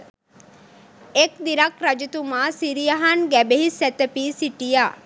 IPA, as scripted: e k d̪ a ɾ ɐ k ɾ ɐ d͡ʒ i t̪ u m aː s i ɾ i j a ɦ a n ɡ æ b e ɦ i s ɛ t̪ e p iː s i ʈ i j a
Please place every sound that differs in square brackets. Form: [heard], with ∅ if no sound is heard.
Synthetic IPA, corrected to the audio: e k d̪ [i] ɾ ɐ k ɾ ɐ d͡ʒ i t̪ u m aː s i ɾ i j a ɦ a n ɡ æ b e ɦ i s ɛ t̪ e p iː s i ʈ i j a